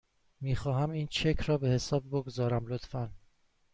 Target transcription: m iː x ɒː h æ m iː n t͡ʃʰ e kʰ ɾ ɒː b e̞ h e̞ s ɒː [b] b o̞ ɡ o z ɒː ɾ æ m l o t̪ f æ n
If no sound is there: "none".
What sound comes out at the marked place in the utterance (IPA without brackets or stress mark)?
b